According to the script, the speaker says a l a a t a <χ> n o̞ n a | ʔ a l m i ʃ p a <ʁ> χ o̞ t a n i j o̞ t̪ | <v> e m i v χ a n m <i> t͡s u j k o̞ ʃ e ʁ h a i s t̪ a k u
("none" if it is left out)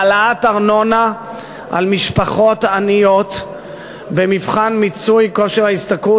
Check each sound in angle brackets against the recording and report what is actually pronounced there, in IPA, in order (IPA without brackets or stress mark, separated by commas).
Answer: ʁ, none, b, i